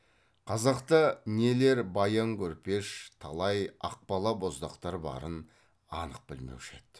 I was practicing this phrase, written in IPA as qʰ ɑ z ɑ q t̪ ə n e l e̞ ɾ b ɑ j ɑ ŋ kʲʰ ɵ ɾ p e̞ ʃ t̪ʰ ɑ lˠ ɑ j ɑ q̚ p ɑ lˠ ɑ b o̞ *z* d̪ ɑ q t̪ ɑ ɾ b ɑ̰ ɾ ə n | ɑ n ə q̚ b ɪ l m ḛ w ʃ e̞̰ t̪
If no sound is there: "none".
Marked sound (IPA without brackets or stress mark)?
z